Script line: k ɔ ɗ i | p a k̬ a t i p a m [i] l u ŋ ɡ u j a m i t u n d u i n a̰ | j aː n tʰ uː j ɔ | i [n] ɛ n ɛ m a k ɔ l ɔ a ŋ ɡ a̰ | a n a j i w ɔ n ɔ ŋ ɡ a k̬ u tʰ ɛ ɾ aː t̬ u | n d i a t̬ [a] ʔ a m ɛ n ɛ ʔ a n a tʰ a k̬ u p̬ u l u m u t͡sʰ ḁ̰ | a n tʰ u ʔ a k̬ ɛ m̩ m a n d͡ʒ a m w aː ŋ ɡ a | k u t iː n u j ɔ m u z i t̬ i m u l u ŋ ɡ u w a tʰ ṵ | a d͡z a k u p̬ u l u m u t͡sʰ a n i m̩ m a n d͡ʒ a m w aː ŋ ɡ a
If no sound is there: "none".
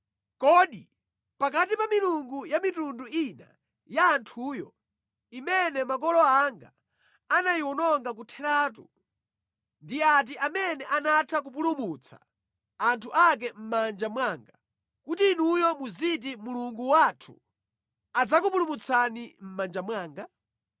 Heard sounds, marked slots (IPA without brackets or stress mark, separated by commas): i, m, i